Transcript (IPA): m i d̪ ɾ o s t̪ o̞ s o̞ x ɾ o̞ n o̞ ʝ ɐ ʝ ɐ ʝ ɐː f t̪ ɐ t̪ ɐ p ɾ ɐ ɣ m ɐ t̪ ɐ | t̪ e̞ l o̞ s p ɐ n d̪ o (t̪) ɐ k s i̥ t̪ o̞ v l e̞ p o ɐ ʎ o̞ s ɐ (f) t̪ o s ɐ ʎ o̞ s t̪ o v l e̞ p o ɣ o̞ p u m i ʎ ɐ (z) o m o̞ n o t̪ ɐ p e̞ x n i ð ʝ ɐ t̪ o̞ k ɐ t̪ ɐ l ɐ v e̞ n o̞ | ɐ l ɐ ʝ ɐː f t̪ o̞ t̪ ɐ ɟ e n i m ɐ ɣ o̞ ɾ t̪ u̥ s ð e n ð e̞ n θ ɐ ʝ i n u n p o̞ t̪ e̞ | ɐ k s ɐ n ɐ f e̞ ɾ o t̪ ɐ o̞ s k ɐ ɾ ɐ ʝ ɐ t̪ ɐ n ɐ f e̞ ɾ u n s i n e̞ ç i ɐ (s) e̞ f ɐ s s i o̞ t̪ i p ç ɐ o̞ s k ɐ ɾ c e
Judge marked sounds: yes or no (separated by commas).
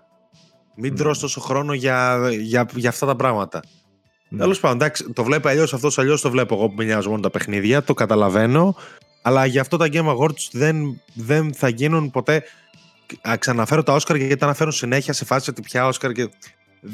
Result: no, yes, yes, yes